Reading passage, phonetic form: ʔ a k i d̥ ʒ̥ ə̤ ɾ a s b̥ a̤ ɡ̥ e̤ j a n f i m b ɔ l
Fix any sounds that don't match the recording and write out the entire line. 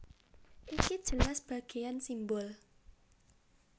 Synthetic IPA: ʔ i k i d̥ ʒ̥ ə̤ l a s b̥ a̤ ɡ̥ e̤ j a n s i m b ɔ l